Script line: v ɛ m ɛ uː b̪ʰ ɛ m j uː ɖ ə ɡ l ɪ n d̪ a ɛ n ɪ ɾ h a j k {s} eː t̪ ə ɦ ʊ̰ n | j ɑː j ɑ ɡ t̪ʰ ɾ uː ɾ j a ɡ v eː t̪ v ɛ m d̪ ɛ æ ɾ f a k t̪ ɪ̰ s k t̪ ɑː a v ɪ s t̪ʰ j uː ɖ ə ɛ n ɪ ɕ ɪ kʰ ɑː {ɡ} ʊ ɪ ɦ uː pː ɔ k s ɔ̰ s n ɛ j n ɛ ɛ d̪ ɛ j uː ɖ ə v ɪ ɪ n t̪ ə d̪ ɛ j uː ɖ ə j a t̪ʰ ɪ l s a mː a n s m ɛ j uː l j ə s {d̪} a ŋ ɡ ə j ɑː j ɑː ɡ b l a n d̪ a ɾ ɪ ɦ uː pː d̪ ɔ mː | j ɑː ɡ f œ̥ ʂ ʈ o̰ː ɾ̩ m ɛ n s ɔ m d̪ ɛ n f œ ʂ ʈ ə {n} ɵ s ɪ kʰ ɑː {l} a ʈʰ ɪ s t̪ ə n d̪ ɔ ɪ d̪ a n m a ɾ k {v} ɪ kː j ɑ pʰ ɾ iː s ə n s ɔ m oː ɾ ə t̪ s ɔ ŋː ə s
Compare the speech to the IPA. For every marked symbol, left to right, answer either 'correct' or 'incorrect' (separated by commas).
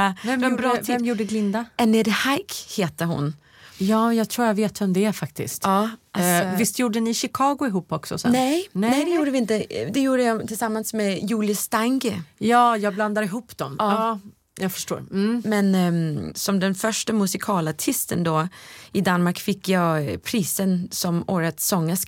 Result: incorrect, correct, incorrect, incorrect, correct, incorrect